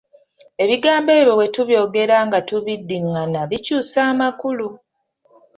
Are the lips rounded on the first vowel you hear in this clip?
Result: no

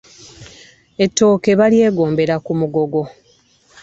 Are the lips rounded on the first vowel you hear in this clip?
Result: no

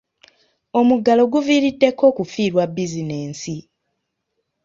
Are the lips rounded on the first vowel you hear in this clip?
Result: yes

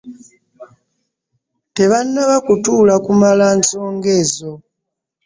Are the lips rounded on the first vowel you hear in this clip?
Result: no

